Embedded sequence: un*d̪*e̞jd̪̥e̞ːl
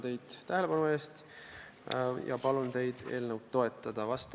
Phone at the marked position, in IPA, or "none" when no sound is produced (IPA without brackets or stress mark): t̪